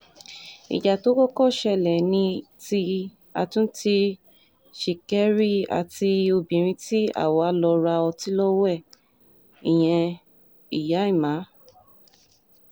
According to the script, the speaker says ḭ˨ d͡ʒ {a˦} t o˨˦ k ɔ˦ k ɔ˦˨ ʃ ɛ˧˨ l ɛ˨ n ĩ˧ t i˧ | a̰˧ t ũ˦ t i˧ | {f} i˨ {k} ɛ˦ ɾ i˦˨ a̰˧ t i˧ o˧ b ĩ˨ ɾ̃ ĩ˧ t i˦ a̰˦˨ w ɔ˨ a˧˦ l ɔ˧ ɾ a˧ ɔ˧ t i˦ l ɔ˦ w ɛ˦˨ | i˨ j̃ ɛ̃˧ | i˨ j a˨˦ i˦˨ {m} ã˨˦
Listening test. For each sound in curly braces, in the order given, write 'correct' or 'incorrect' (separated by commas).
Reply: incorrect, incorrect, correct, correct